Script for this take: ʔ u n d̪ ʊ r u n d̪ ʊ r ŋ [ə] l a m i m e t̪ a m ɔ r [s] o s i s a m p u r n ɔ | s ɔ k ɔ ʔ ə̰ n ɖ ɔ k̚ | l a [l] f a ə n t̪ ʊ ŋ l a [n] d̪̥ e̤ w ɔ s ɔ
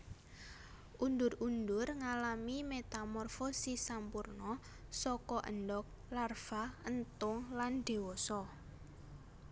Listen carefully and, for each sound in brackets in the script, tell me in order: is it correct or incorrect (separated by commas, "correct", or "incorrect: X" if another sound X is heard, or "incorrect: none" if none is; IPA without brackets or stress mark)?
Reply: incorrect: a, incorrect: f, incorrect: r, correct